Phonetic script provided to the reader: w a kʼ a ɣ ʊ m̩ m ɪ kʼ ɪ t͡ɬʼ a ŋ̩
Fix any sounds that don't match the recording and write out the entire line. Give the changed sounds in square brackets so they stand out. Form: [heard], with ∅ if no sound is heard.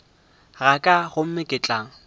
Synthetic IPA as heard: [ɣ] a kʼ a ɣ ʊ m̩ m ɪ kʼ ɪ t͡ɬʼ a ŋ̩